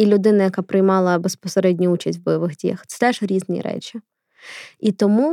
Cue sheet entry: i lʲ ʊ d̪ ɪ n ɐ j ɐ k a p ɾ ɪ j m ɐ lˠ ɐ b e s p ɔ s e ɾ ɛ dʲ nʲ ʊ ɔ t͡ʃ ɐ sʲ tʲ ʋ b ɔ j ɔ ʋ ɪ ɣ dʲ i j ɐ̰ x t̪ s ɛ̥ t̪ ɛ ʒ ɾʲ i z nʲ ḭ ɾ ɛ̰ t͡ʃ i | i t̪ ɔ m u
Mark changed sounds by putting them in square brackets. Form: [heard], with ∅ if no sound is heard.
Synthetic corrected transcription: i lʲ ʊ d̪ ɪ n ɐ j ɐ k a p ɾ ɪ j m [ɑ] lˠ ɐ b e s p ɔ s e ɾ ɛ dʲ nʲ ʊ [u] t͡ʃ ɐ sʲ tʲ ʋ b ɔ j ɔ ʋ ɪ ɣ dʲ i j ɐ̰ x t̪ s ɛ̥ t̪ ɛ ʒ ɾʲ i z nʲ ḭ ɾ ɛ̰ t͡ʃ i | i t̪ ɔ m u